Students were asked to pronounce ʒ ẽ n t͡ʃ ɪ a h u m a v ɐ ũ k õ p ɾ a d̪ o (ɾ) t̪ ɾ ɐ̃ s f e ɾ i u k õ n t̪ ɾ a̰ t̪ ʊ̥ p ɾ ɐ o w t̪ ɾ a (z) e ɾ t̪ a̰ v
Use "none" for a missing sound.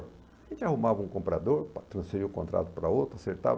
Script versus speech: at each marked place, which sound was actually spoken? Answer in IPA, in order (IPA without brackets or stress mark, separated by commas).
ɾ, s